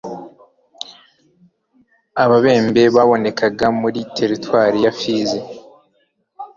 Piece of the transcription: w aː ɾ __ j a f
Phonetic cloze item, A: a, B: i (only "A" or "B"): B